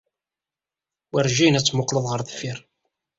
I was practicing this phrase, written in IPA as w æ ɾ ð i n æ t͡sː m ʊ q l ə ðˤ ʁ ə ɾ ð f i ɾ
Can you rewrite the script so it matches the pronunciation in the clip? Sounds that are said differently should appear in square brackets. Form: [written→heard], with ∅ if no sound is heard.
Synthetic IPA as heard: w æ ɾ [ð→ʒ] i n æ t͡sː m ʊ q l ə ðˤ ʁ ə ɾ ð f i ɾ